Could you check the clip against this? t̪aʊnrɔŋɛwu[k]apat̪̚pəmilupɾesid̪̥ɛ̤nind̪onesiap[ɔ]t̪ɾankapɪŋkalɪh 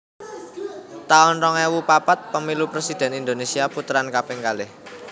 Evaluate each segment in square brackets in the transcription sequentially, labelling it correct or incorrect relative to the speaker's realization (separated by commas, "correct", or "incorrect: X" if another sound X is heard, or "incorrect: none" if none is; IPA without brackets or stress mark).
incorrect: p, incorrect: u